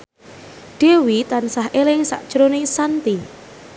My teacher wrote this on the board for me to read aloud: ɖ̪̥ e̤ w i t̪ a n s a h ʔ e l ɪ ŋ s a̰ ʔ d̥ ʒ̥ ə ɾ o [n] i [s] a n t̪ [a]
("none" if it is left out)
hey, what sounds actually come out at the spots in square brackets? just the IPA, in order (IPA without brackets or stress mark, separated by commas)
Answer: n, s, i